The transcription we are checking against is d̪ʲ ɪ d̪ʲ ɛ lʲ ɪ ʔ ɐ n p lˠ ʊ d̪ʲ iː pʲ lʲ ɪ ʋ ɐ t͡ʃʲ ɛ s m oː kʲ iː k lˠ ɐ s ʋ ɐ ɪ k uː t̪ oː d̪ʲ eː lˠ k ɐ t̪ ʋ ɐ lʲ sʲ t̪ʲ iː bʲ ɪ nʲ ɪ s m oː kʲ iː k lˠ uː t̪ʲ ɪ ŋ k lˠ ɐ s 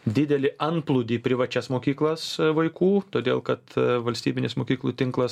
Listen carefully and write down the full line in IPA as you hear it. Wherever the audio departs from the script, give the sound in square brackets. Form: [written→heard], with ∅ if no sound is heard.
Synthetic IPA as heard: d̪ʲ ɪ d̪ʲ ɛ lʲ ɪ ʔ ɐ n p lˠ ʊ d̪ʲ iː pʲ [lʲ→ɾʲ] ɪ ʋ ɐ t͡ʃʲ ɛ s m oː kʲ iː k lˠ ɐ s ʋ ɐ ɪ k uː t̪ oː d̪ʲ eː lˠ k ɐ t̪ ʋ ɐ lʲ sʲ t̪ʲ iː bʲ ɪ nʲ ɪ s m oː kʲ iː k lˠ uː t̪ʲ ɪ ŋ k lˠ ɐ s